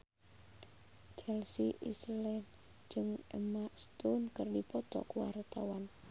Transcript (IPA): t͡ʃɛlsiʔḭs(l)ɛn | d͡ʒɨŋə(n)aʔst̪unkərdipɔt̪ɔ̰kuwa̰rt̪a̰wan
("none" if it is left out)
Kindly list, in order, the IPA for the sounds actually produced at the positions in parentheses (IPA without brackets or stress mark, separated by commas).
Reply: l, m